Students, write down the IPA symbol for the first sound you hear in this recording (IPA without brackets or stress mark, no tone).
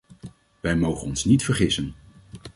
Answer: ʋ